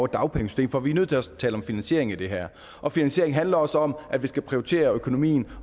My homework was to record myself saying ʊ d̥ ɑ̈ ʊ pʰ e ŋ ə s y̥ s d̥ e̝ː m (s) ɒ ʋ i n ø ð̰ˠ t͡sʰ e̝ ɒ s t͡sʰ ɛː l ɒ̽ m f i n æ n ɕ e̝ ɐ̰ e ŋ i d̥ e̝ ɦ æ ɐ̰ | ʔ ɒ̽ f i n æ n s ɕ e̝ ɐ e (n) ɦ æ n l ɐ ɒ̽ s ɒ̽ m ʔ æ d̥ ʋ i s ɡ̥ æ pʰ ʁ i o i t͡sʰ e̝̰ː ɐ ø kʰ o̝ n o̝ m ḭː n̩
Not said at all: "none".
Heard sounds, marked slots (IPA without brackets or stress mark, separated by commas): f, ŋ